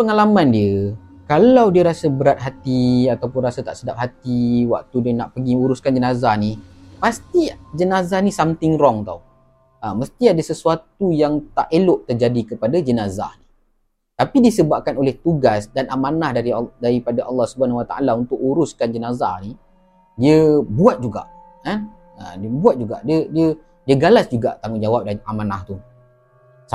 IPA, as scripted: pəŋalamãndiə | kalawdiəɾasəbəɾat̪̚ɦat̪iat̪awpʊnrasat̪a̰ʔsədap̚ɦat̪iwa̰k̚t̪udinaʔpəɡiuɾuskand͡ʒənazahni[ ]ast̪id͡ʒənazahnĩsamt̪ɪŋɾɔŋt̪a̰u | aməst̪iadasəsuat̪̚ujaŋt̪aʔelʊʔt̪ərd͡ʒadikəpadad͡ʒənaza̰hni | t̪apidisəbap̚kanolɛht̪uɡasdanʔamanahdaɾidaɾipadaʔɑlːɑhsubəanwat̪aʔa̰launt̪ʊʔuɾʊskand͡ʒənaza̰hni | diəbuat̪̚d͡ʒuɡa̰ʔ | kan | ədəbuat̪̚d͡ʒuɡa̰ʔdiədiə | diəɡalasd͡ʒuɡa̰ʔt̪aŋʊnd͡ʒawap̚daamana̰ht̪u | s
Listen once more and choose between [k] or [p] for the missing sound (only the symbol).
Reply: p